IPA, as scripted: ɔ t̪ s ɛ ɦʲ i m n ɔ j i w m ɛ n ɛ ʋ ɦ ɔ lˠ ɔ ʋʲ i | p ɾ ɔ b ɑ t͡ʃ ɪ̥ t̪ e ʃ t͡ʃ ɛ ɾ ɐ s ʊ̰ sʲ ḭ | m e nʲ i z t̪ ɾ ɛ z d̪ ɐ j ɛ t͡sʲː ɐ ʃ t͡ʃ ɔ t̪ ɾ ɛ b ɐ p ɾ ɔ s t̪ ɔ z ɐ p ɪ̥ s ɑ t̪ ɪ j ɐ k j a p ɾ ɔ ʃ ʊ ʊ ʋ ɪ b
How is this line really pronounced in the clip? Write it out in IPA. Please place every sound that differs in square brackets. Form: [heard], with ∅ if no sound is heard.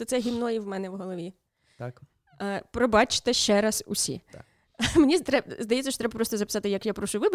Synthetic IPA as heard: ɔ t̪ s ɛ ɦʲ i m n ɔ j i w m ɛ n ɛ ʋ ɦ ɔ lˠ ɔ ʋʲ i | p ɾ ɔ b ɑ t͡ʃ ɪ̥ t̪ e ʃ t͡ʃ ɛ ɾ ɐ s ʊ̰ sʲ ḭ | m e nʲ i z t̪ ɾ ɛ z d̪ ɐ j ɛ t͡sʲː ɐ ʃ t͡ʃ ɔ t̪ ɾ ɛ b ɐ p ɾ ɔ s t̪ ɔ z ɐ p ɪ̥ s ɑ t̪ ɪ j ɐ k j a p ɾ ɔ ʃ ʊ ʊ ʋ ɪ b